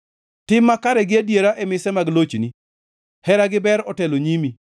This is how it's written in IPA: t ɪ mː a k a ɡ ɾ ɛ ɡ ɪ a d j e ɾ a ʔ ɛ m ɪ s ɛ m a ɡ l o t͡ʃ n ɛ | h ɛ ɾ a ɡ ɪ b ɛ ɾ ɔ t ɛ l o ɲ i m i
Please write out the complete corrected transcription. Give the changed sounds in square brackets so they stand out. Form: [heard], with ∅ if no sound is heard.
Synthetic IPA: t ɪ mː a k a [∅] ɾ ɛ ɡ ɪ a d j e ɾ a ʔ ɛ m ɪ s ɛ m a ɡ l o t͡ʃ n [i] | h ɛ ɾ a ɡ ɪ b ɛ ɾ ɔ t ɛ l o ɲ i m i